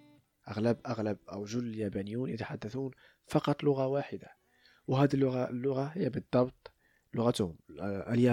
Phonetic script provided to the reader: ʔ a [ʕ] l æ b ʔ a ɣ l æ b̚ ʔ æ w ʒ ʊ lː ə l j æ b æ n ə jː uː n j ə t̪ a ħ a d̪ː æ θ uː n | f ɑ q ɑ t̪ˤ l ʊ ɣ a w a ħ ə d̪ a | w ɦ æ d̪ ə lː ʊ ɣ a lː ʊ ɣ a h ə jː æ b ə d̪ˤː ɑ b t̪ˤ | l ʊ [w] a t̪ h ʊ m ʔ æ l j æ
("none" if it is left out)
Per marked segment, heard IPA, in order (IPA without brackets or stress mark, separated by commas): ɣ, ɣ